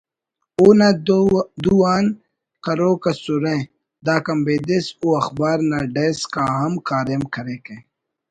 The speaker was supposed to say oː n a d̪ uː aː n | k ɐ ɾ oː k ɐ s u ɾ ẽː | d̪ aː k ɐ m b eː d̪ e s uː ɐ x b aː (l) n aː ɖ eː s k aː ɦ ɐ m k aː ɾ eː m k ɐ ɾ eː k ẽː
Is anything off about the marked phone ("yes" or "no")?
yes